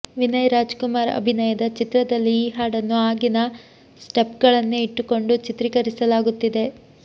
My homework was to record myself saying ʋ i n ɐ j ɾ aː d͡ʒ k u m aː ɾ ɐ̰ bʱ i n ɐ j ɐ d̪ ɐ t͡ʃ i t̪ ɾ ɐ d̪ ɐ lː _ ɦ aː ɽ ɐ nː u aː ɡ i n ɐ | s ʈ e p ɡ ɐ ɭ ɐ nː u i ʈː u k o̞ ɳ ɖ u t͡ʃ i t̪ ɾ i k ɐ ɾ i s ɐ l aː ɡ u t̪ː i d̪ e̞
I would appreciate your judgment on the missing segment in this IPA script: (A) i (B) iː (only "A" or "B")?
B